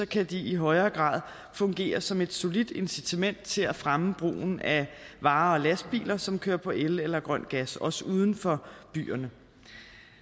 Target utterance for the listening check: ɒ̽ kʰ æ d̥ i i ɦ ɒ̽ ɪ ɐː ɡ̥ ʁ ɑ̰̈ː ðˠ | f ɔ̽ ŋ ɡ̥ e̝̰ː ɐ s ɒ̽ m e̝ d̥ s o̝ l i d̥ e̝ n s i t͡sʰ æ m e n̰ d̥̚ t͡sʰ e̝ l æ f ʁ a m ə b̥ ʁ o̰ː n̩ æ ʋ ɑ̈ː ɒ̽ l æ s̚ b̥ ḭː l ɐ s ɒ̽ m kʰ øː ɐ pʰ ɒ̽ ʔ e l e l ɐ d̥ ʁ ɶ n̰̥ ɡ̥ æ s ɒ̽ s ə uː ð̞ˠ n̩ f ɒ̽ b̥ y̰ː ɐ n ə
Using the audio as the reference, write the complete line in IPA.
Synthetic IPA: ɒ̽ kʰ æ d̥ i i ɦ ɒ̽ ɪ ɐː ɡ̥ ʁ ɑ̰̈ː ðˠ | f ɔ̽ ŋ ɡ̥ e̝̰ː ɐ s ɒ̽ m e̝ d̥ s o̝ l i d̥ e̝ n s i t͡sʰ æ m e n̰ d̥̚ t͡sʰ e̝ l æ f ʁ a m ə b̥ ʁ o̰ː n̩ æ ʋ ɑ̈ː ɒ̽ l æ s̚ b̥ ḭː l ɐ s ɒ̽ m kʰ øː ɐ pʰ ɒ̽ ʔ e l e l ɐ ɡ̥ ʁ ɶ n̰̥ ɡ̥ æ s ɒ̽ s ə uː ð̞ˠ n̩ f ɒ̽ b̥ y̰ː ɐ n ə